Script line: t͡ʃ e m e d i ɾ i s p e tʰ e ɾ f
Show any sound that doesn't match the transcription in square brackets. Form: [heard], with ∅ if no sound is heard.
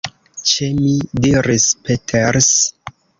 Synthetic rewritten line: t͡ʃ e m [i] d i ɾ i s p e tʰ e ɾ [s]